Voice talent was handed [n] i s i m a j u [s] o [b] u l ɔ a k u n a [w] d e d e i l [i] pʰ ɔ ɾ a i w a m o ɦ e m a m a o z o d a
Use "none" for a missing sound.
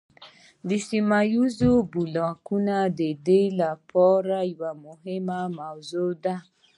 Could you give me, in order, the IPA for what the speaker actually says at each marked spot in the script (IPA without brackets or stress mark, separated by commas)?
d, z, b, none, a